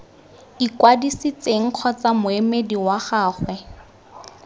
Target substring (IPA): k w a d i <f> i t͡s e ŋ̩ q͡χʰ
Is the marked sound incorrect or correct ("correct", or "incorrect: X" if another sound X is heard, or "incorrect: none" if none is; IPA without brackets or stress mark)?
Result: incorrect: s